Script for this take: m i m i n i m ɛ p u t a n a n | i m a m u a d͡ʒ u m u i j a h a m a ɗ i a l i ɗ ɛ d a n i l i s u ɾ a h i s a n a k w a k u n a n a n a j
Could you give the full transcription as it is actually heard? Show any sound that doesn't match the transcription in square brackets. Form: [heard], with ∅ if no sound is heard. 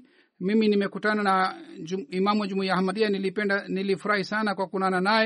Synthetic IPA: m i m i n i m ɛ [k] u t a n a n | i m a m u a d͡ʒ u m u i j a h a m a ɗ i a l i [∅] ɛ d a n i l i [f] u ɾ a h i s a n a k w a k u n a n a n a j